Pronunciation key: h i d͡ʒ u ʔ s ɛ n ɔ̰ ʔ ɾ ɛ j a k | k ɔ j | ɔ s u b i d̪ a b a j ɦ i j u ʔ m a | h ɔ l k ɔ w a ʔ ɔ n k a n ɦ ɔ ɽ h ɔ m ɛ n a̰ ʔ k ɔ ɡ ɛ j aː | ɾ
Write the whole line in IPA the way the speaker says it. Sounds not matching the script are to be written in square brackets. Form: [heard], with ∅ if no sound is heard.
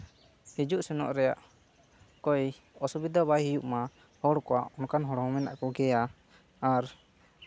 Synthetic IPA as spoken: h i d͡ʒ u ʔ s ɛ n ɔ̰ ʔ ɾ ɛ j a [ʔ] | k ɔ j | ɔ s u b i d̪ a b a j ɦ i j u ʔ m a | h ɔ [ɽ] k ɔ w a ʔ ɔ n k a n ɦ ɔ ɽ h ɔ m ɛ n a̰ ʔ k ɔ ɡ ɛ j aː | ɾ